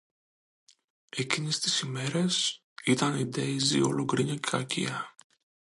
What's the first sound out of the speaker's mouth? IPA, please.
e̞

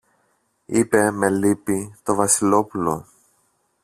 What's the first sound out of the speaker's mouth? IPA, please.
i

